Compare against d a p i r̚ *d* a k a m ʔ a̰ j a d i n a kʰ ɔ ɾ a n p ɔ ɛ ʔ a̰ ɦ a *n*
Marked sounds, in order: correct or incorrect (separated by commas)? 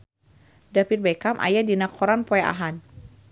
incorrect, correct